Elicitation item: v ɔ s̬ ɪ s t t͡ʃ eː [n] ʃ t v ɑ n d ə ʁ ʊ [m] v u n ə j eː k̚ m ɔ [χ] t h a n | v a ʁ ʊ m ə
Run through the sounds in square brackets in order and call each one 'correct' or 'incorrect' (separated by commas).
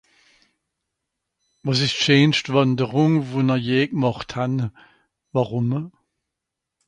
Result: correct, incorrect, correct